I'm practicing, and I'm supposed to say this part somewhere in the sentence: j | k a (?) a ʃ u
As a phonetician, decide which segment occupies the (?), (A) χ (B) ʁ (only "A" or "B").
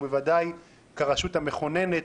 B